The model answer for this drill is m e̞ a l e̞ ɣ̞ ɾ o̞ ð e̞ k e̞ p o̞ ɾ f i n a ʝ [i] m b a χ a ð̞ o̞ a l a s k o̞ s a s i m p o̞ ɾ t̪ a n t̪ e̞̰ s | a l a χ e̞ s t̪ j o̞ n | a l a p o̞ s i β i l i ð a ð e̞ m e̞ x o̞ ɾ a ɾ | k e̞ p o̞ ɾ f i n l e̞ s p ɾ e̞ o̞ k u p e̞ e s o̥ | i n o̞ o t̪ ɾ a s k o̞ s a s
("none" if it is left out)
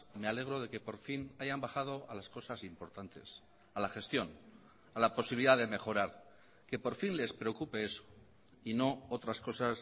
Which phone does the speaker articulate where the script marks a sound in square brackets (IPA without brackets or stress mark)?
a